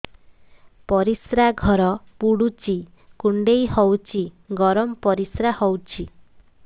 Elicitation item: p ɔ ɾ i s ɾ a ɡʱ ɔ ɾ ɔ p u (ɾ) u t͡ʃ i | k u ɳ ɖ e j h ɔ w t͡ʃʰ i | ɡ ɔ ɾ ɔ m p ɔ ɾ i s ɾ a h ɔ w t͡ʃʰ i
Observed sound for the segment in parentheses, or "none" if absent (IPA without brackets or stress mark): ɽ